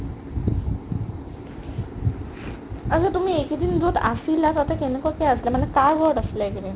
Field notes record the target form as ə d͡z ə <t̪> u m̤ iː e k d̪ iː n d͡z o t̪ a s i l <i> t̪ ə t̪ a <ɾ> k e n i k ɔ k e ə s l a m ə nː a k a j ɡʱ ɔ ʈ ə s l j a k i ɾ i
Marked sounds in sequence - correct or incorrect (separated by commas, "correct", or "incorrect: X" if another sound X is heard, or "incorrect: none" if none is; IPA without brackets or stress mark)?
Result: correct, incorrect: a, incorrect: none